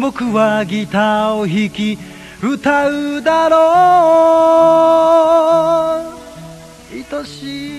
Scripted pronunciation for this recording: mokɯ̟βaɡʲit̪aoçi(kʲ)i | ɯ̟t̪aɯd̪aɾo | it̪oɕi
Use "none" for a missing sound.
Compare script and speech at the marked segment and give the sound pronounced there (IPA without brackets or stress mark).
kʲ